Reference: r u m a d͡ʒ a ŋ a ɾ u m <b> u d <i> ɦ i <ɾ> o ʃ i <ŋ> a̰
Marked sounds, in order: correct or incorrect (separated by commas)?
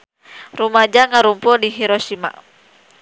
incorrect, correct, correct, incorrect